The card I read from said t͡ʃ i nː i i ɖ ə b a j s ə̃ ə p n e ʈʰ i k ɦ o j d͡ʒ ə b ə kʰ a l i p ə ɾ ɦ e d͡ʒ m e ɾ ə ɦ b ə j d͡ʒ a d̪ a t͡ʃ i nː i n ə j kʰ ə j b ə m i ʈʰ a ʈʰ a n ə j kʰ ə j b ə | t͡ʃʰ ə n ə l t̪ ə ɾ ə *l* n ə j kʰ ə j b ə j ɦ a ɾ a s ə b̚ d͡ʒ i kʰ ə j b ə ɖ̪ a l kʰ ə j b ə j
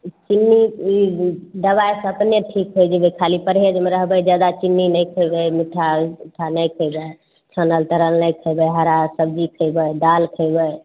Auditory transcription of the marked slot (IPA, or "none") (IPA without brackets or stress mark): l